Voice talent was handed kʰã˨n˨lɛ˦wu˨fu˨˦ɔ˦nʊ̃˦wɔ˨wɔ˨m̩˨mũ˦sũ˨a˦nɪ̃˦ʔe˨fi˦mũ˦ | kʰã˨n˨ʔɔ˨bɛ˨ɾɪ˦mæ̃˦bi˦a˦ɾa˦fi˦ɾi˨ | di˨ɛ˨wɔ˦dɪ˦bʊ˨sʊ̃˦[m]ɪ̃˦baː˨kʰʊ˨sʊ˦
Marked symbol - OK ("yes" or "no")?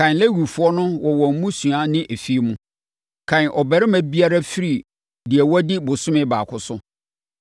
yes